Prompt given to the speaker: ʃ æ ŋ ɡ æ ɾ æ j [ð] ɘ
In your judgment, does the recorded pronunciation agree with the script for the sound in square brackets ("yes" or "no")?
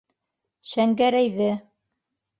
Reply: yes